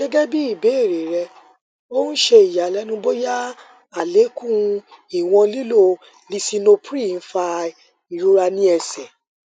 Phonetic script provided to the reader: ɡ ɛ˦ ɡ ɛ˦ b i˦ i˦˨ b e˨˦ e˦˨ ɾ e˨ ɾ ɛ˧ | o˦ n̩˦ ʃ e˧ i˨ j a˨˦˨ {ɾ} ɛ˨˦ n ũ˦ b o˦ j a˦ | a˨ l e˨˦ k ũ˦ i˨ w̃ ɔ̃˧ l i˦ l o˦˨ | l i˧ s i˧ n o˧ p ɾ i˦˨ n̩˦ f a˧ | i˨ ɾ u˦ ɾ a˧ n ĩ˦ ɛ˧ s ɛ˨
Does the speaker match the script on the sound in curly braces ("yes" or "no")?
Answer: no